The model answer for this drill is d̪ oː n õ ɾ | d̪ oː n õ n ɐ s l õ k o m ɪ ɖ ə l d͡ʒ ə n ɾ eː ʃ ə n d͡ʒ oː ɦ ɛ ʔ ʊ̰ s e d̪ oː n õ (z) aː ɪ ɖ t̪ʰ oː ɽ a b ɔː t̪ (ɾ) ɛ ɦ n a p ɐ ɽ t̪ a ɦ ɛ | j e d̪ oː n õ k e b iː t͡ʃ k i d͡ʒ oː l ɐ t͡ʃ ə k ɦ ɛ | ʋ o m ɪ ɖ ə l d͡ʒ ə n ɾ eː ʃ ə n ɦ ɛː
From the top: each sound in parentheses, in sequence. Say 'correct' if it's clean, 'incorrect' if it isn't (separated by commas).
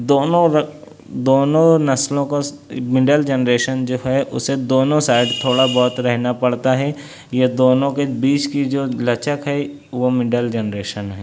incorrect, correct